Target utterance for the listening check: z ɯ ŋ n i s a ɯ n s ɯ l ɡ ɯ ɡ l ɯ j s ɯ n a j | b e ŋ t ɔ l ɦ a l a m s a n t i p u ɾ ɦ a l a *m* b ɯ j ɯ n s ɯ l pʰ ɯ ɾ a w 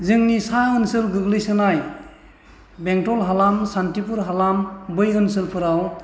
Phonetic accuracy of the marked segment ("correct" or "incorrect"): correct